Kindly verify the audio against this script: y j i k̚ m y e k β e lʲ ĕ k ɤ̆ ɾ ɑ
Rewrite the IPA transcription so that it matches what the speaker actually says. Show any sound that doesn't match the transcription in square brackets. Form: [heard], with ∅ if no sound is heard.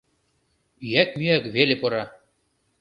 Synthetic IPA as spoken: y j [æ] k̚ m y [æ] k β e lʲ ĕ [p] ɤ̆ ɾ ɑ